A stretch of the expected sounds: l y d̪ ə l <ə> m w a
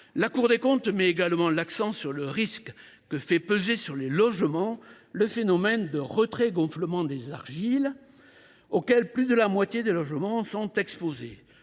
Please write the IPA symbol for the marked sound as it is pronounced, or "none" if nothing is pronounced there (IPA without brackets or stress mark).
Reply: a